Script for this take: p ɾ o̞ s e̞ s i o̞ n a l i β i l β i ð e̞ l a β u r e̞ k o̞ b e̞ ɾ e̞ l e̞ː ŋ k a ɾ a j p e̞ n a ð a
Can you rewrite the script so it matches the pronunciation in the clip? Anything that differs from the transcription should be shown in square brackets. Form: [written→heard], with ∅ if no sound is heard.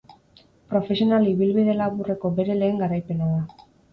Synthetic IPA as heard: p ɾ o̞ [s→f] e̞ s i o̞ n a l i β i l β i ð e̞ l a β u r e̞ k o̞ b e̞ ɾ e̞ l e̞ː ŋ [k→ɡ] a ɾ a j p e̞ n a ð a